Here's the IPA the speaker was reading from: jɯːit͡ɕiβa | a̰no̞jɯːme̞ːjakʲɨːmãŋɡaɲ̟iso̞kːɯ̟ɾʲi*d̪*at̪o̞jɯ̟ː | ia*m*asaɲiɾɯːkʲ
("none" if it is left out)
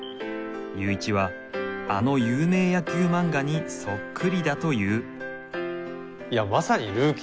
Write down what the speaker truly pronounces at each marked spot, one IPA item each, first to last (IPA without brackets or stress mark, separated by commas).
d̪, m